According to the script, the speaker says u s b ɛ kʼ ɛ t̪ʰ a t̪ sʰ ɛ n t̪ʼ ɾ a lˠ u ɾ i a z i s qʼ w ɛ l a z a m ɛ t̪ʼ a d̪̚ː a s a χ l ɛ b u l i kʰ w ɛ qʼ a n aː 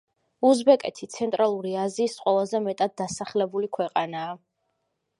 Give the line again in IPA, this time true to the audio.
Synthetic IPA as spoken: u z b ɛ kʼ ɛ t̪ʰ i t̪ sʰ ɛ n t̪ʼ ɾ a lˠ u ɾ i a z iː s qʼ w ɛ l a z ɛ m ɛ t̪ʼ a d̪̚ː a s a χ l ɛ b u l i kʰ w ɛ qʼ a n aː